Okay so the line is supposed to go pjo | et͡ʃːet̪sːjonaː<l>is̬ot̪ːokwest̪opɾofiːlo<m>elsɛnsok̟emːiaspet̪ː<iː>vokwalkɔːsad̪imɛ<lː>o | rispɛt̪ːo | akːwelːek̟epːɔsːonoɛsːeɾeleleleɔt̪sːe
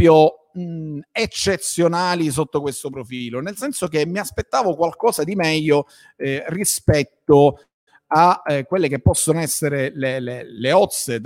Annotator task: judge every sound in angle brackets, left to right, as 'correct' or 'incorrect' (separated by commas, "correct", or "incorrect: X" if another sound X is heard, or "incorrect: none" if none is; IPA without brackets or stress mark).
correct, incorrect: n, incorrect: aː, incorrect: ʎː